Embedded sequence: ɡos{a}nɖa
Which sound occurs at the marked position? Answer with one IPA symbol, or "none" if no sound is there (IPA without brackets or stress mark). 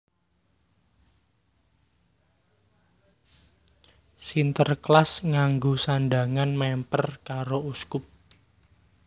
a